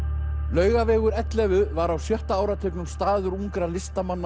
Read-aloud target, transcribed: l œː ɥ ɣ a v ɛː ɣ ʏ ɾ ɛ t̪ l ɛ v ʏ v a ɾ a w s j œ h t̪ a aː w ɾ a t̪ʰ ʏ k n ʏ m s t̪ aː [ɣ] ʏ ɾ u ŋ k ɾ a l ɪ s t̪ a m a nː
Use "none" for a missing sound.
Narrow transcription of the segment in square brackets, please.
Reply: ð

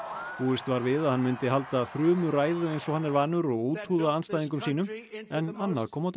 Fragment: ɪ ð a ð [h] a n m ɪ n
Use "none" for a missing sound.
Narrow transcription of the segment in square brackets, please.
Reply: h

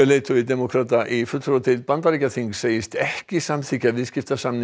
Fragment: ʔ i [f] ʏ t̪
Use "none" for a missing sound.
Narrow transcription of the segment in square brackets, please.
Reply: f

